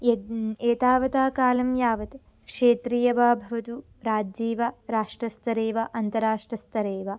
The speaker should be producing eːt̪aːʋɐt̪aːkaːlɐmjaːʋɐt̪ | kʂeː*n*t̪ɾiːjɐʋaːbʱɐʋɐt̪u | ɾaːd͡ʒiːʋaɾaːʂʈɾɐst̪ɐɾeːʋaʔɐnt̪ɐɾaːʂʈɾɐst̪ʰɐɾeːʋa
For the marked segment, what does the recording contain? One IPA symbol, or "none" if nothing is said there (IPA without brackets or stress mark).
none